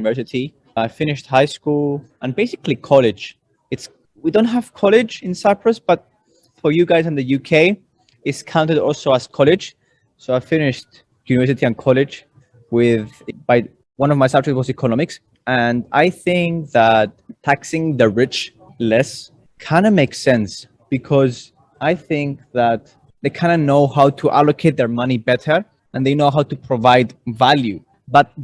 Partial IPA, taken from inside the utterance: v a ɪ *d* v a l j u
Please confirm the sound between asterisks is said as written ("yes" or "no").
yes